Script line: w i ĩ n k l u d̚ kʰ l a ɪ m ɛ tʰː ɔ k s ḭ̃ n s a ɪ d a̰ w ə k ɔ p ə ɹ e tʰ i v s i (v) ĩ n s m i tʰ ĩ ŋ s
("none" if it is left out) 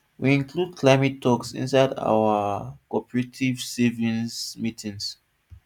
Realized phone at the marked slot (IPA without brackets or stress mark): v